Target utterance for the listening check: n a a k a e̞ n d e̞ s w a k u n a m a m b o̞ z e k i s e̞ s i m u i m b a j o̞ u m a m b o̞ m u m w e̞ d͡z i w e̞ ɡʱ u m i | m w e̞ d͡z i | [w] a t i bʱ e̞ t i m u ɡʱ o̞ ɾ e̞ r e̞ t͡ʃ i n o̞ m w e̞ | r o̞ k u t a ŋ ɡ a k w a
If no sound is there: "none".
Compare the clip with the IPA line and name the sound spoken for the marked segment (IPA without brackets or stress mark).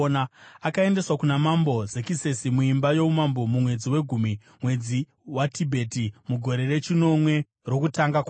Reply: w